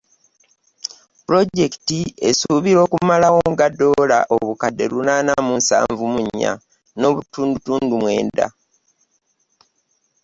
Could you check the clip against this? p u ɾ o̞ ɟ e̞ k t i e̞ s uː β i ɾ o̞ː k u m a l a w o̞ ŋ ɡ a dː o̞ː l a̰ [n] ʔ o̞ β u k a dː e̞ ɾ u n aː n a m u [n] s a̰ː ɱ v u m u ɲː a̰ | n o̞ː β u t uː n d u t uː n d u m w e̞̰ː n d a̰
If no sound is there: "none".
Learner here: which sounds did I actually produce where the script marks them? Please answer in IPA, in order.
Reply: none, n

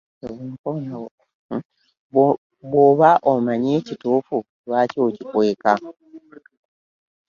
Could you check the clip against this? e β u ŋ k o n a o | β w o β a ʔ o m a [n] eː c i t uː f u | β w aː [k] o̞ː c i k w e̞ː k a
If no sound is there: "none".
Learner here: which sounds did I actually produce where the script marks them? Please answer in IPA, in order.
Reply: ɲ, c

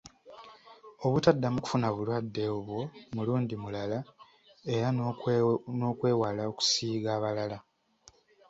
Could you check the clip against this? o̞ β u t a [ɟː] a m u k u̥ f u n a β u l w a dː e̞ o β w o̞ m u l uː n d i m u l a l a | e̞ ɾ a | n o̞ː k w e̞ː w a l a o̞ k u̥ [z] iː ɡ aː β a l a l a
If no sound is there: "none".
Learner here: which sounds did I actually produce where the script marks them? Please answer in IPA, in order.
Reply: dː, s

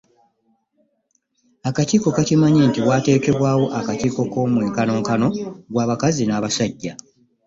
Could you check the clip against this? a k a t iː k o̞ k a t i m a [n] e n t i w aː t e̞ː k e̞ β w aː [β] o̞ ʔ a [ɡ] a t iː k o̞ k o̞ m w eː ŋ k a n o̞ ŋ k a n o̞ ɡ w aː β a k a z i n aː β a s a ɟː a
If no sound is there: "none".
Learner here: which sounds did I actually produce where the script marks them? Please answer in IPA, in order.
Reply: ɲ, w, k

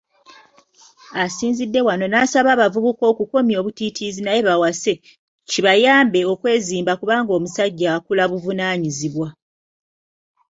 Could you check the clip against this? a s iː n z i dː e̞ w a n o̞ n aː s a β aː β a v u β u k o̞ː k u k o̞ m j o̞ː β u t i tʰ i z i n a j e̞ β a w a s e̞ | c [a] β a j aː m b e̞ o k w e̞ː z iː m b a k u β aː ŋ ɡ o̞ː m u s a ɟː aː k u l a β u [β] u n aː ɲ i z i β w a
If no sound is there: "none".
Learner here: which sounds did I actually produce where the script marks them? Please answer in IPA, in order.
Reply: i, v

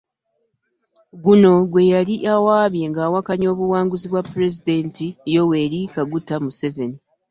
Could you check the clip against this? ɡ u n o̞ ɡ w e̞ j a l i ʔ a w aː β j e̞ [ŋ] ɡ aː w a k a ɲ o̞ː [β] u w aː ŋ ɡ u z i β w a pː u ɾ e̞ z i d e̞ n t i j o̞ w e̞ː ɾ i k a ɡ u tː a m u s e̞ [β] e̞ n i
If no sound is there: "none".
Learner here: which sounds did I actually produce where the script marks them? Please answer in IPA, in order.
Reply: ŋ, β, v

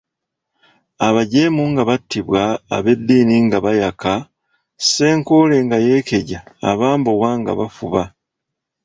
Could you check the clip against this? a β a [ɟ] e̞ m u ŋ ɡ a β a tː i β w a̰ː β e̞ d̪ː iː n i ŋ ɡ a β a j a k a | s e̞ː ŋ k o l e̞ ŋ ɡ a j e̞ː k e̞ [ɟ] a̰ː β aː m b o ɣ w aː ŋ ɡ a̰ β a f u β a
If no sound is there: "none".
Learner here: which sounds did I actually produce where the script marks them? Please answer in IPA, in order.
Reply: ɟ, ɟ

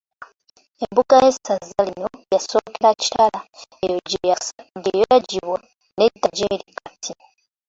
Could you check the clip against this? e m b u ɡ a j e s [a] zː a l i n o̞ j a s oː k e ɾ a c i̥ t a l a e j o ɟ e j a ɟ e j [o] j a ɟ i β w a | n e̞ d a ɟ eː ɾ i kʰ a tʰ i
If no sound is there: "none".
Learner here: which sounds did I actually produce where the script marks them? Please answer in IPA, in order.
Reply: a, o

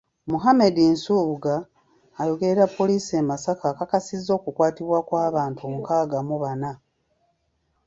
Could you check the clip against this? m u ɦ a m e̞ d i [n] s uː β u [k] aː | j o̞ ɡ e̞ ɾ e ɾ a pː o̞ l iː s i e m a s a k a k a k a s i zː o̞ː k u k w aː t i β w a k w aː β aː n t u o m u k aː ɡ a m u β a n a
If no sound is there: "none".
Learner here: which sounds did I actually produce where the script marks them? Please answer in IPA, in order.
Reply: n, ɡ

